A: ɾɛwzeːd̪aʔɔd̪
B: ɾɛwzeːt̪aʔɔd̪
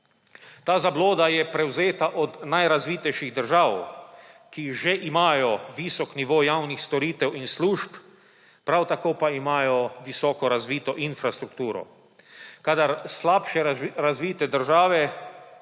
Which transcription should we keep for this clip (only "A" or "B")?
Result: B